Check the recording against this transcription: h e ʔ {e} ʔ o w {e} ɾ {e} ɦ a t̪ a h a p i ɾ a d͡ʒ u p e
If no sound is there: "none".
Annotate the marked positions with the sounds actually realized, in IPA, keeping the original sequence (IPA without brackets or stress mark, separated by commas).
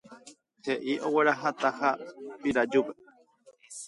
i, e, a